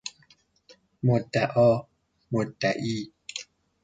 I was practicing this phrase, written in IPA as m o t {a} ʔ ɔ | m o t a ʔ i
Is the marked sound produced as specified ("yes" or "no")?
yes